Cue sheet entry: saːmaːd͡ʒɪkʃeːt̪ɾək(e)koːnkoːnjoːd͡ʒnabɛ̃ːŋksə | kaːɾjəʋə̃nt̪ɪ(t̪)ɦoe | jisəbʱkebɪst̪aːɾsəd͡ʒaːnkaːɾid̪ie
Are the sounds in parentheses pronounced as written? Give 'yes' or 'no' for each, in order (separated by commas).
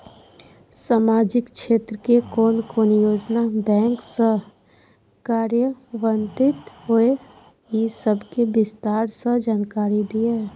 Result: yes, yes